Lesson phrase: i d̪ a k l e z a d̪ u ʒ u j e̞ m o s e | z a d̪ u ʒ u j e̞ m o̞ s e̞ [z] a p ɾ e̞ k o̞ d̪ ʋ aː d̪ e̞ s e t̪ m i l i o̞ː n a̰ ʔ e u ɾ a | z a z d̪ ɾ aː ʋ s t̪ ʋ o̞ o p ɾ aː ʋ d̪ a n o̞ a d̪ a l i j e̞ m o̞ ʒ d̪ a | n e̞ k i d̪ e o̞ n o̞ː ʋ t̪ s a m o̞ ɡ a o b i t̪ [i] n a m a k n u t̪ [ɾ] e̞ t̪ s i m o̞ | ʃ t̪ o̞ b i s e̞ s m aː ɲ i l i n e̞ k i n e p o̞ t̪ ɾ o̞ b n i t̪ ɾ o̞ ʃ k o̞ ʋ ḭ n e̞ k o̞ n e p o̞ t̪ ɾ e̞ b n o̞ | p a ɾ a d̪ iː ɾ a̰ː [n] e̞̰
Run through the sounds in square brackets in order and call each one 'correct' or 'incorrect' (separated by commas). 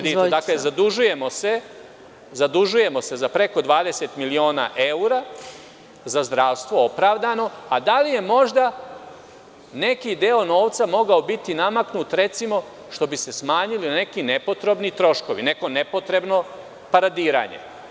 correct, correct, correct, incorrect